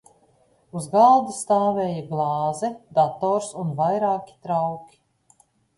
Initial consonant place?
alveolar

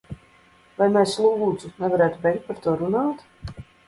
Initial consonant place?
labial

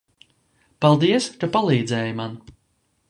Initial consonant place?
labial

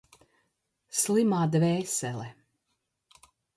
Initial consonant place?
alveolar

